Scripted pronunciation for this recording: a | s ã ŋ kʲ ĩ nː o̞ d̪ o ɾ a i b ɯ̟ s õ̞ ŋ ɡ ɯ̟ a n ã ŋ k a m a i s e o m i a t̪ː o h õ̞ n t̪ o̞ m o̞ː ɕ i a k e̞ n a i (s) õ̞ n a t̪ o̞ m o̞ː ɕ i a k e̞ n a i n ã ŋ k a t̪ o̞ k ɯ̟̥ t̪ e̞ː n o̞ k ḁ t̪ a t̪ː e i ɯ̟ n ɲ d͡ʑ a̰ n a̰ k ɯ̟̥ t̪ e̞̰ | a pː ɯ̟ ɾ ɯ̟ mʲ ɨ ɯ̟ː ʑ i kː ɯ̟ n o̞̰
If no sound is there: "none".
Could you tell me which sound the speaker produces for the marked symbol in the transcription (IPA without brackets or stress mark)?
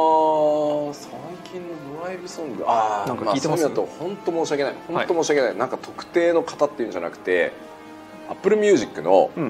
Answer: h